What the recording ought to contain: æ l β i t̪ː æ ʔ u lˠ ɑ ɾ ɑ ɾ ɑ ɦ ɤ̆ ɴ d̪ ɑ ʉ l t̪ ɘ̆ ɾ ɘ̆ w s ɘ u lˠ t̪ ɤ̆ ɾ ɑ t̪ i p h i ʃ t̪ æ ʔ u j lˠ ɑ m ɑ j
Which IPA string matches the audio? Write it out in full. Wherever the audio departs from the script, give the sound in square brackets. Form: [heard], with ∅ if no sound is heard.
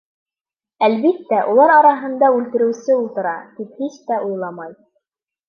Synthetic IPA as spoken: æ l β i t̪ː æ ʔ u lˠ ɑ ɾ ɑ ɾ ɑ ɦ ɤ̆ [n] d̪ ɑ ʉ l t̪ ɘ̆ ɾ ɘ̆ w s ɘ u lˠ t̪ ɤ̆ ɾ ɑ t̪ i p h i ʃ t̪ æ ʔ u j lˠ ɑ m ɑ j